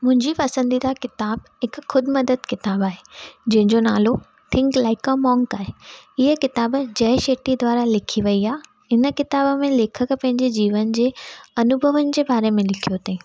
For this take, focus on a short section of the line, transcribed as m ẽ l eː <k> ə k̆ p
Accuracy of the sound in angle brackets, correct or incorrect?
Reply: incorrect